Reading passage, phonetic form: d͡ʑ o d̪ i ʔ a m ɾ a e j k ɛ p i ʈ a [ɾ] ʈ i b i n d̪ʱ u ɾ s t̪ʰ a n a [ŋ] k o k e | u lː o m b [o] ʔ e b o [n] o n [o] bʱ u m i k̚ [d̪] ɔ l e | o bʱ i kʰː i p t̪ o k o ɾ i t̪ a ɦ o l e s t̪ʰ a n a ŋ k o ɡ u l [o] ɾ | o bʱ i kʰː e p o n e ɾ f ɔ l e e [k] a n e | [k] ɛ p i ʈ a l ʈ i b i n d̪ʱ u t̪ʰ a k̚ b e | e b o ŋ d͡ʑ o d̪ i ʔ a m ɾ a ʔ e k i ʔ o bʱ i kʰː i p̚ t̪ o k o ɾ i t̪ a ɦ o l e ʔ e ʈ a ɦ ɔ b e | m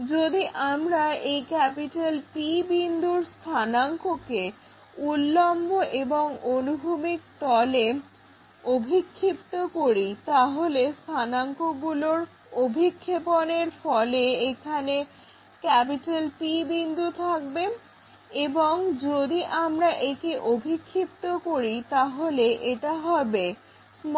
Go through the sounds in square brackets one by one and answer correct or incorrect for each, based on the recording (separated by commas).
incorrect, correct, correct, incorrect, incorrect, incorrect, correct, incorrect, correct